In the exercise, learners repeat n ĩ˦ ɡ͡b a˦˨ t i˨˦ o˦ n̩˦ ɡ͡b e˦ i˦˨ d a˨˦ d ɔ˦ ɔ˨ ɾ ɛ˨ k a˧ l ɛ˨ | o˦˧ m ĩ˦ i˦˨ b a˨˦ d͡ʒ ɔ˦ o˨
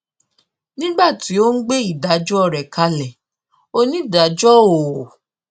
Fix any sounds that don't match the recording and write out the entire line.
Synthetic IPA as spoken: n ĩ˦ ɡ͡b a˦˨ t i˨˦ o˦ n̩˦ ɡ͡b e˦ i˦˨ d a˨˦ d͡ʒ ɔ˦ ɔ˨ ɾ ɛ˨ k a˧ l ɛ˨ | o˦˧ n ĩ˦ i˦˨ d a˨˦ d͡ʒ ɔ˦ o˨